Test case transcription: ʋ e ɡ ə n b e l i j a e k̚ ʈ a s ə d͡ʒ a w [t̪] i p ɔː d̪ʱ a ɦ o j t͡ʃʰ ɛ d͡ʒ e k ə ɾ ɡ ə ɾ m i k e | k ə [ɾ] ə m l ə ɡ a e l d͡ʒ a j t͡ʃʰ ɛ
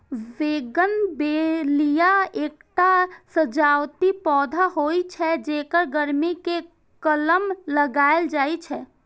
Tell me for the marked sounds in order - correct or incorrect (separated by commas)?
correct, incorrect